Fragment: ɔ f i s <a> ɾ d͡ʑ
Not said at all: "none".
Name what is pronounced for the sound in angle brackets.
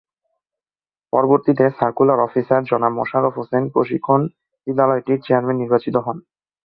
a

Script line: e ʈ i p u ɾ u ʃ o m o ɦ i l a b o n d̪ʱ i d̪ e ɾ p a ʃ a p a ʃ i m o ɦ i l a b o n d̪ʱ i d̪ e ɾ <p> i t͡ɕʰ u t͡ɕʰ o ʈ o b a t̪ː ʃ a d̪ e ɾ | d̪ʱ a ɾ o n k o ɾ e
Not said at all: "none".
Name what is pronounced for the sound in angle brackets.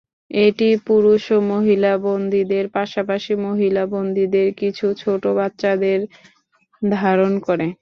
k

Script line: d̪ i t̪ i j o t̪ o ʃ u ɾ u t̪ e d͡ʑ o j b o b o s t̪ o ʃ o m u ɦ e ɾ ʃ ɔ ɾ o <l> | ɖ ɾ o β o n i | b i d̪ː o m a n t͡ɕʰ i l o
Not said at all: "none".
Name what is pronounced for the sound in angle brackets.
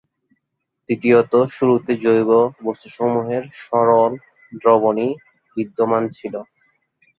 l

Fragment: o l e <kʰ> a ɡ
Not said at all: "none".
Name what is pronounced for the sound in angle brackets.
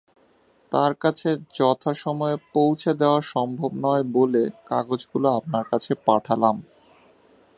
k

